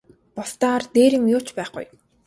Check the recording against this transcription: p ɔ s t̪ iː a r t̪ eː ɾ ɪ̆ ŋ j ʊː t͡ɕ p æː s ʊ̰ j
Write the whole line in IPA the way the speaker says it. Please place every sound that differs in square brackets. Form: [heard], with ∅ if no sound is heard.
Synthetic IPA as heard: p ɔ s t̪ [aː] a r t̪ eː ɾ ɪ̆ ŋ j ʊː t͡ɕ p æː [χ] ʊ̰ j